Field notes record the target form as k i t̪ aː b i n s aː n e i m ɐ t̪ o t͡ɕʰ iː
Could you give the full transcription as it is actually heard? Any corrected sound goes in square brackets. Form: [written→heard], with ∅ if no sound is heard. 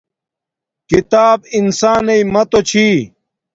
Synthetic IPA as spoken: k i t̪ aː b i n s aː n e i m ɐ t̪ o t͡ɕʰ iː